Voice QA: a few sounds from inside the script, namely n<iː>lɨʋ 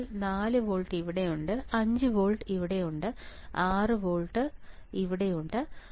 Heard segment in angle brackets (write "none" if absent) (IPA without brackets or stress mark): aː